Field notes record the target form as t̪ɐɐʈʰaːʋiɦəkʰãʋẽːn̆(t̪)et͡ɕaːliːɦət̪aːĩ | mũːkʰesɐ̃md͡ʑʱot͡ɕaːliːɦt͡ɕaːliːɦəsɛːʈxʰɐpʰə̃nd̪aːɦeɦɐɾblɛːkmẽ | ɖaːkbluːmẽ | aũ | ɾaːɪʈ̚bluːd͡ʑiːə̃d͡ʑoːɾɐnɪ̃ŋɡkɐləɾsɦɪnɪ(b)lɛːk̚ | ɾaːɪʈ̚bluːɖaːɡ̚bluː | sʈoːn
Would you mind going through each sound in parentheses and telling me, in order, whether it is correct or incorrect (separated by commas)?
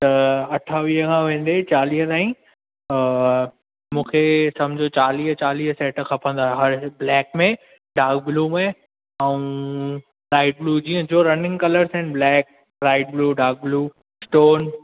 incorrect, correct